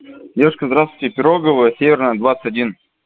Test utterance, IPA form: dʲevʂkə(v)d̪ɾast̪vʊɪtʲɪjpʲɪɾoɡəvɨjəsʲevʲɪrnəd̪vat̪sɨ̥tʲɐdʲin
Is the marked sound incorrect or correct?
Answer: incorrect: z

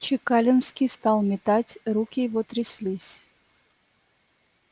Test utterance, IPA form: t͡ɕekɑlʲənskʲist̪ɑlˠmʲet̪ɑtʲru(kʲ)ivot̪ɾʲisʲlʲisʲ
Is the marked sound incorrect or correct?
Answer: correct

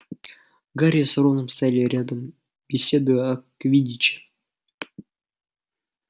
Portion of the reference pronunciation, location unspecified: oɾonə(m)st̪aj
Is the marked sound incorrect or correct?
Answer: correct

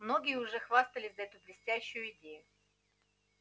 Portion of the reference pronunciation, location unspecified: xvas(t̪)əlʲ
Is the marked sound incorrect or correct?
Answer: correct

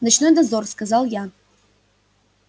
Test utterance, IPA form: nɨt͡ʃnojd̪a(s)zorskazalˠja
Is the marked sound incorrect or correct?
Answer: incorrect: none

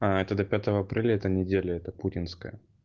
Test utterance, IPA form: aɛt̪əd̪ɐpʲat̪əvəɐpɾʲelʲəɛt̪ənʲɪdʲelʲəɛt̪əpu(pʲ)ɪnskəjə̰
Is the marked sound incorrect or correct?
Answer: incorrect: tʲ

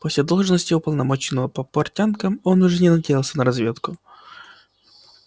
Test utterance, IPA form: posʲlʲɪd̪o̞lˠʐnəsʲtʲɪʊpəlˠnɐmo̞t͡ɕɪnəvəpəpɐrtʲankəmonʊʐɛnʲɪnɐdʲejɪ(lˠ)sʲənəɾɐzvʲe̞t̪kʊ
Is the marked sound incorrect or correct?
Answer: correct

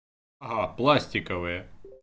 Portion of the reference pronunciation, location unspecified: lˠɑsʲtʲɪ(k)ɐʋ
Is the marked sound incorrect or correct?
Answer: correct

